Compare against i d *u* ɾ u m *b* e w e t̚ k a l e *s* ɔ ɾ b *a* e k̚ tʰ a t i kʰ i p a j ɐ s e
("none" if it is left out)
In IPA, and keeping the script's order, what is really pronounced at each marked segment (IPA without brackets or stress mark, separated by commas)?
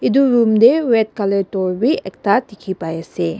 u, d, t, i